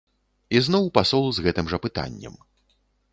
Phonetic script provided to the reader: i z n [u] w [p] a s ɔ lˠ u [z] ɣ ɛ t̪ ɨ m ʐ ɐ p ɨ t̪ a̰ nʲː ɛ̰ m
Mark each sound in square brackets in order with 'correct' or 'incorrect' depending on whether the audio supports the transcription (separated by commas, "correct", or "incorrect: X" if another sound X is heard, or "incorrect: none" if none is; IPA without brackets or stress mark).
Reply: incorrect: ɔ, correct, correct